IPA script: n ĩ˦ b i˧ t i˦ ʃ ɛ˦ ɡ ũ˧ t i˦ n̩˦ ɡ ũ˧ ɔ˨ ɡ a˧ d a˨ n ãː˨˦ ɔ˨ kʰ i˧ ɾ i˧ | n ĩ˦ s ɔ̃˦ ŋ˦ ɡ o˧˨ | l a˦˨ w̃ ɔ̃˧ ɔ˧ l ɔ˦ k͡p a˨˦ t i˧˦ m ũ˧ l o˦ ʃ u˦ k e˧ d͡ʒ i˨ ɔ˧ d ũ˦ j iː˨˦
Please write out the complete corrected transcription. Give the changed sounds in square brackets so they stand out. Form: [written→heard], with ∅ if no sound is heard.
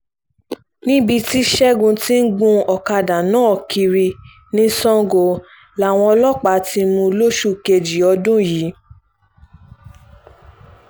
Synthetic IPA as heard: n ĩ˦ b i˧ t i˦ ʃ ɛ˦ ɡ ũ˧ t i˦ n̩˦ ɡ ũ˧ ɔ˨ [ɡ→k] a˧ d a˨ n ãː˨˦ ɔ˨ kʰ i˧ ɾ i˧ | n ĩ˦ s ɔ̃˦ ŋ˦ ɡ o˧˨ | l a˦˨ w̃ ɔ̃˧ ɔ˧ l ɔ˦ k͡p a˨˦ t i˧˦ m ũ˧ l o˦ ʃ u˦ k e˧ d͡ʒ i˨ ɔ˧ d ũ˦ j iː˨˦

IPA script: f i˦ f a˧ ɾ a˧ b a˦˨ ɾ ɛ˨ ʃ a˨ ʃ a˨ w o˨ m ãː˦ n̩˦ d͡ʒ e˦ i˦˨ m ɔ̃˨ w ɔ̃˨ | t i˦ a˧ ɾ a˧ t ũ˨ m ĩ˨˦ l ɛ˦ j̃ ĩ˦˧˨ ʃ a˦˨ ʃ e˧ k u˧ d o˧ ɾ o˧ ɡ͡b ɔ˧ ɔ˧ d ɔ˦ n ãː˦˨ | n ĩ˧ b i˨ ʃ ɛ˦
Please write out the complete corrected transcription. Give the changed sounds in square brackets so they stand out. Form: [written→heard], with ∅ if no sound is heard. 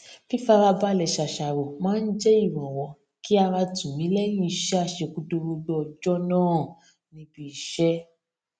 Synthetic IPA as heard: f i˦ f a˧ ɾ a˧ b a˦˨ [ɾ→l] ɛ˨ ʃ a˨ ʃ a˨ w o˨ m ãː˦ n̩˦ d͡ʒ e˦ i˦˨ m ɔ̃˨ w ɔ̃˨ | [t→k] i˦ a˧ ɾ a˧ t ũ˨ m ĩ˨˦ l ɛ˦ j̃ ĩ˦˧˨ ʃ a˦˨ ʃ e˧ k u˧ d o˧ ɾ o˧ ɡ͡b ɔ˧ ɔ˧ [d→d͡ʒ] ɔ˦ n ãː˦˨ | n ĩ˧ b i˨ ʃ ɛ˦

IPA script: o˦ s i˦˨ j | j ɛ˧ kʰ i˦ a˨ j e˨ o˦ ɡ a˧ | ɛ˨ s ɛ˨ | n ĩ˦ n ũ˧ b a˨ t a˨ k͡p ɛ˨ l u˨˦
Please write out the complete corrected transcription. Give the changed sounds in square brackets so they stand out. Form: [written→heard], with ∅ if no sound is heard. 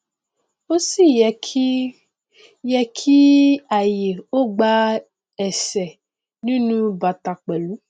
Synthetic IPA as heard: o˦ s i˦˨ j | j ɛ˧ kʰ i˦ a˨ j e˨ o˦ [ɡ→ɡ͡b] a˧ | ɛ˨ s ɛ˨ | n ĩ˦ n ũ˧ b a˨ t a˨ k͡p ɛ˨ l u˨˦

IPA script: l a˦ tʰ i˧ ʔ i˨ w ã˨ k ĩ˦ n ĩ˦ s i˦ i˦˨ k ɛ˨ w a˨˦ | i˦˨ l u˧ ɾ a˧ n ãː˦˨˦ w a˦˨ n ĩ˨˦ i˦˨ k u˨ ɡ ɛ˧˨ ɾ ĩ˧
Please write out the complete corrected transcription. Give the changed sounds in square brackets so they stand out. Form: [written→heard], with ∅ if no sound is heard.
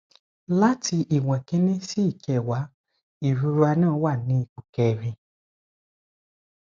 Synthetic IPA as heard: l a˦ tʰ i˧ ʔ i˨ w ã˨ k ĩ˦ n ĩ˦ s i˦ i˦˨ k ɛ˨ w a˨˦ | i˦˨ [l→ɾ] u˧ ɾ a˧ n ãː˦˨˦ w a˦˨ n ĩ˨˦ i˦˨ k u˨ [ɡ→k] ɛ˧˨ ɾ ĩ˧

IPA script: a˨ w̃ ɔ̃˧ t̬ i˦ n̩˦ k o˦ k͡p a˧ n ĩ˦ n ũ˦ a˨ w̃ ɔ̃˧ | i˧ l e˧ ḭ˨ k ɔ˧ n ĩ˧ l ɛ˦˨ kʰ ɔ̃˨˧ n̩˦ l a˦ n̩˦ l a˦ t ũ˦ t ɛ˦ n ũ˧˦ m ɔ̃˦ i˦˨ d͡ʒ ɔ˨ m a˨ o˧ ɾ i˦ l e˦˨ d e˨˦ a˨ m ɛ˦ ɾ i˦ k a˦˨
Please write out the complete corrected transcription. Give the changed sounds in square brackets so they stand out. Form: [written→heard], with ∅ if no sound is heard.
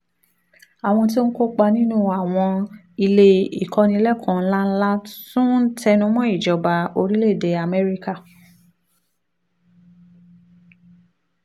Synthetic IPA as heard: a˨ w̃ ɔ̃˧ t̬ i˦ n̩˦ k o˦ k͡p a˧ n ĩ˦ n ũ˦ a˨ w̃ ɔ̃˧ | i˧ l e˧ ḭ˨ k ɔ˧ n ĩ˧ l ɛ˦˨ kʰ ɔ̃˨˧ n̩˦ l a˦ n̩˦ l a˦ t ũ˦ t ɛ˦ n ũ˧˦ m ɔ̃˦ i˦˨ d͡ʒ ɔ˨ [m→b] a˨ o˧ ɾ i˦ l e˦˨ d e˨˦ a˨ m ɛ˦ ɾ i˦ k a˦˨

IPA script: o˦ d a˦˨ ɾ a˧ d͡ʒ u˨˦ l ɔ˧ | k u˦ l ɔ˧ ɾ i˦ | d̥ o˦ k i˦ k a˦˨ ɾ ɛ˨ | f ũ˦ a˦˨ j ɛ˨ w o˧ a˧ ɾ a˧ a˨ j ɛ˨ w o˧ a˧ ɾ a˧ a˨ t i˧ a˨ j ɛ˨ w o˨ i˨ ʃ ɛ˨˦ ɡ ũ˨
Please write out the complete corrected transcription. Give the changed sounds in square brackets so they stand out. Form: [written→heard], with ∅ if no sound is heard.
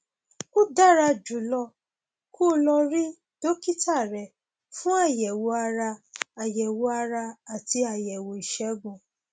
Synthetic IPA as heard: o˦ d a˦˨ ɾ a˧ d͡ʒ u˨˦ l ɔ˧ | k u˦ l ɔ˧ ɾ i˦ | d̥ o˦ k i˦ [k→t] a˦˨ ɾ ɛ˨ | f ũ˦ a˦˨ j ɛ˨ w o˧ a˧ ɾ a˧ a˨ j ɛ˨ w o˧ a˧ ɾ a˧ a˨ t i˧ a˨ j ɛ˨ w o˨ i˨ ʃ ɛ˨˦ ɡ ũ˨

